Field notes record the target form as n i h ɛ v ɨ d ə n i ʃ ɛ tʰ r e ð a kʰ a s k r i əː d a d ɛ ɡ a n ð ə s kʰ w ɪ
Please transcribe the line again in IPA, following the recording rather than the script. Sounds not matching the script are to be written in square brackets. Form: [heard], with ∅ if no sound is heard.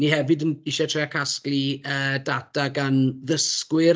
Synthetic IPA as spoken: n i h ɛ v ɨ d ə n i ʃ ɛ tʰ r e [∅] a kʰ a s k [l] i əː d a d [a] ɡ a n ð ə s [k] w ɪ